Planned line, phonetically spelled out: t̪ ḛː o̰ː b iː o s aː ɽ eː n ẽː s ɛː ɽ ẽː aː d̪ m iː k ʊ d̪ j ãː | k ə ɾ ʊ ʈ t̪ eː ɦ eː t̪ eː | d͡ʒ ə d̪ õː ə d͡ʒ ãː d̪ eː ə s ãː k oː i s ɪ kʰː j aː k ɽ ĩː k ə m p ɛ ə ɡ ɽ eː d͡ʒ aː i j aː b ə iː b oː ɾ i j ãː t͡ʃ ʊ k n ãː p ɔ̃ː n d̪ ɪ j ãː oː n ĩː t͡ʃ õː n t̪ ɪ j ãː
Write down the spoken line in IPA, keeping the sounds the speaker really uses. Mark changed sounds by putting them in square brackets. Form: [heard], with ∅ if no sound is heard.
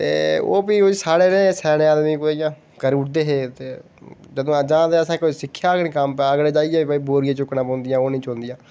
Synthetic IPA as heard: t̪ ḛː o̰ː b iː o s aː ɽ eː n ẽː s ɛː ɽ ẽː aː d̪ m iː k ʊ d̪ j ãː | k ə ɾ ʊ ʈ [d̪] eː ɦ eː t̪ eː | d͡ʒ ə d̪ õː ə d͡ʒ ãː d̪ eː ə s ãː k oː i s ɪ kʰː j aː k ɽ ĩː k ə m p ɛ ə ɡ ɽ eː d͡ʒ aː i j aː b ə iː b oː ɾ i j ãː t͡ʃ ʊ k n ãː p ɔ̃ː n d̪ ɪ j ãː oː n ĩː t͡ʃ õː n [d̪] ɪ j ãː